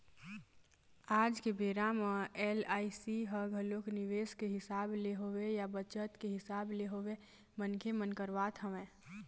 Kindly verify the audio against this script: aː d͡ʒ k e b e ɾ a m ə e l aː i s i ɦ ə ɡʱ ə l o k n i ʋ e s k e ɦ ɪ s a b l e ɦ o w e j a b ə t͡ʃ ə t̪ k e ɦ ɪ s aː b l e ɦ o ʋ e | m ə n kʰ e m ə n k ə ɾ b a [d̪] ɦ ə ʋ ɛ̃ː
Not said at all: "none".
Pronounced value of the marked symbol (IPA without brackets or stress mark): t̪